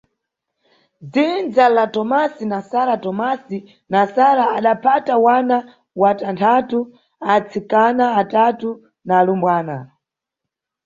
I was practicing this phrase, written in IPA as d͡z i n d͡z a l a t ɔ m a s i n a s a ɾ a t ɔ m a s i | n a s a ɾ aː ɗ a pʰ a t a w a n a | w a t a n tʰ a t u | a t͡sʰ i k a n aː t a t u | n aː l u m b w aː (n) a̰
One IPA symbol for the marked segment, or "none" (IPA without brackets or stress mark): n